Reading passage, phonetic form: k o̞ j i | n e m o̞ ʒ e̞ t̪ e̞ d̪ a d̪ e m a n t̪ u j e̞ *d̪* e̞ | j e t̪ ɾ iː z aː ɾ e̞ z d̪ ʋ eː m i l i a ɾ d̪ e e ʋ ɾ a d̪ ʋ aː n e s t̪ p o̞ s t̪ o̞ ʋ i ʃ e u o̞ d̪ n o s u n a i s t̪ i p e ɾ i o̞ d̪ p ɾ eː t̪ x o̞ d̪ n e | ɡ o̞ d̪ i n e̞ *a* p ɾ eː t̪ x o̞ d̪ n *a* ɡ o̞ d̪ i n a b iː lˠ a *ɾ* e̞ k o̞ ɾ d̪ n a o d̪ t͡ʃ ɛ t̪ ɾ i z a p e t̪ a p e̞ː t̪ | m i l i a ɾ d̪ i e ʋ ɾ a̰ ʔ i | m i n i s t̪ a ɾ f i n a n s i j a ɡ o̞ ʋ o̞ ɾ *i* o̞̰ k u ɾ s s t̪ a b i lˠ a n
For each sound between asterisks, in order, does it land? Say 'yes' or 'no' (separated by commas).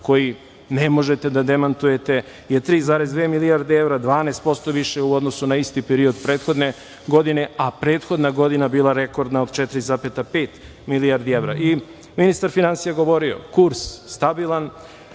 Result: no, yes, yes, yes, yes